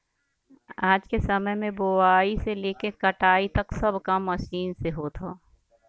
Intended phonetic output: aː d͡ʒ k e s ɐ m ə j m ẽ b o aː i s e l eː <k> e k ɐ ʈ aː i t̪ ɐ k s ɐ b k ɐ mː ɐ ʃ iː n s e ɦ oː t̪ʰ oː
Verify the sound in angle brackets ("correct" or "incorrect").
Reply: correct